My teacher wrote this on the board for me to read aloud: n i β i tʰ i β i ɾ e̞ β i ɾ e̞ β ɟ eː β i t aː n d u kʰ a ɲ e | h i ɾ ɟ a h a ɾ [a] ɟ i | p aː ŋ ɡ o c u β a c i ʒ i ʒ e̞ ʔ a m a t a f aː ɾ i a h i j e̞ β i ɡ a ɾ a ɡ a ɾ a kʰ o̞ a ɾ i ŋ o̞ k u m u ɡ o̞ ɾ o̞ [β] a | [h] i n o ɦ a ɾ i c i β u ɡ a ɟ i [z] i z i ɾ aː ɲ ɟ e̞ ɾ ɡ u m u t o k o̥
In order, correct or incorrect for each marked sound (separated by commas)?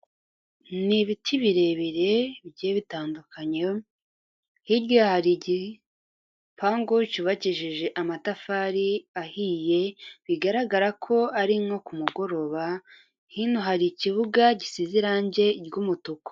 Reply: incorrect, correct, correct, incorrect